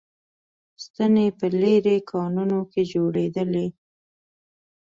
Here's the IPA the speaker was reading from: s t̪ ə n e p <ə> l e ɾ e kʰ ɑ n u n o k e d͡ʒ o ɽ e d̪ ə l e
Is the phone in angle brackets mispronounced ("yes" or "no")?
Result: no